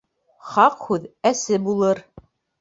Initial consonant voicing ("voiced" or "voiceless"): voiceless